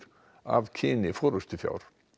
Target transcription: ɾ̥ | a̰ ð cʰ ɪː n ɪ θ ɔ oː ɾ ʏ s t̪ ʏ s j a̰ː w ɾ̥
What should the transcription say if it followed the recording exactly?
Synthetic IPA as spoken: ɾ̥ | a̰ v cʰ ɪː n ɪ f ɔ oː ɾ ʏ s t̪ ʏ f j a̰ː w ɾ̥